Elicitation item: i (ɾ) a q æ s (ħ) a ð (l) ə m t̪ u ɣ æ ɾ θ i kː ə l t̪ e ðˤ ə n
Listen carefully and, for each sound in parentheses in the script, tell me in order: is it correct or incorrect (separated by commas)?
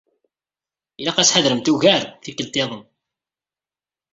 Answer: incorrect, correct, incorrect